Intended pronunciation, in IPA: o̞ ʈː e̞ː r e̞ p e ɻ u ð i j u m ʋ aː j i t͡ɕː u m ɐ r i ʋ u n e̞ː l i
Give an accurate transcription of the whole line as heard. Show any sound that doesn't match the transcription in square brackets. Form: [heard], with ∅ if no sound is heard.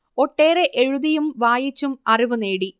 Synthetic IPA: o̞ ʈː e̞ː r e̞ [ʔ] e ɻ u ð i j u m ʋ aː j i t͡ɕː u m ɐ r i ʋ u n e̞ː [ɽ] i